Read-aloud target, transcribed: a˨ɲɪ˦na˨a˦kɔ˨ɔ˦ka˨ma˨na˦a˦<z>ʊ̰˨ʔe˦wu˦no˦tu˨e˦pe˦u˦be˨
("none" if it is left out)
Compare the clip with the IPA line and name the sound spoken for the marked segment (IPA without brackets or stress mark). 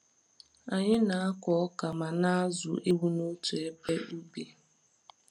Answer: z